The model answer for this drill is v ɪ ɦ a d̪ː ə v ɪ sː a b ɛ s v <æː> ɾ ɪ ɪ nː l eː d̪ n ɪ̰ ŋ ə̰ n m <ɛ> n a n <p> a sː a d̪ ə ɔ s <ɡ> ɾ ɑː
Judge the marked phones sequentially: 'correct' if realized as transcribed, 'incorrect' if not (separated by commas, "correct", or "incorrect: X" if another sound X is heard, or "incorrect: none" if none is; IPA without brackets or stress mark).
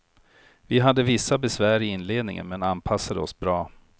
correct, correct, incorrect: pʰ, incorrect: b